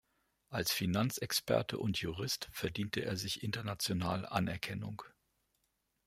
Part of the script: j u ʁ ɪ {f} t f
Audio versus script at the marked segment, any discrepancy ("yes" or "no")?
yes